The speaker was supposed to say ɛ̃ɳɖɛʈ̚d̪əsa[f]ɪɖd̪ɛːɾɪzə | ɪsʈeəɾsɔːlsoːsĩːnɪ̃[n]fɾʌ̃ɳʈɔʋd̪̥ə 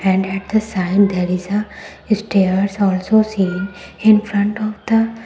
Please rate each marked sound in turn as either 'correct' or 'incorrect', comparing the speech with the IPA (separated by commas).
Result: incorrect, correct